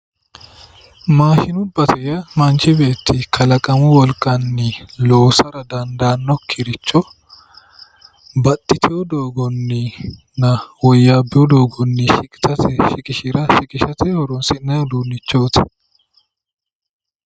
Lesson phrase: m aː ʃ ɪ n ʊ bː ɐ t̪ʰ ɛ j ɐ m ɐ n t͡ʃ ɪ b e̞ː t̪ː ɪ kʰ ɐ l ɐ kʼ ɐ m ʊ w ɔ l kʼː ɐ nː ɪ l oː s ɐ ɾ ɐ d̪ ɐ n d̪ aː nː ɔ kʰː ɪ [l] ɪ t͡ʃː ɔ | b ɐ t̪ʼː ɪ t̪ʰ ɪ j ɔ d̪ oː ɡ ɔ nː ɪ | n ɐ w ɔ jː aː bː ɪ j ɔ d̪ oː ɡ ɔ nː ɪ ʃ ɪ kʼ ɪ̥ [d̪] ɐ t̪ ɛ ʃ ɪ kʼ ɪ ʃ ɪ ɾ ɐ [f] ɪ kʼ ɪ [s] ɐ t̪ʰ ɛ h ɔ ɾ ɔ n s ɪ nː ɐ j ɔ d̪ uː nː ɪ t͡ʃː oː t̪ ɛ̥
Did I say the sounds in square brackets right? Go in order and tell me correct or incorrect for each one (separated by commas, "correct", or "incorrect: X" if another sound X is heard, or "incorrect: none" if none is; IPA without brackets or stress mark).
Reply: incorrect: ɾ, incorrect: t̪, incorrect: ʃ, incorrect: ʃ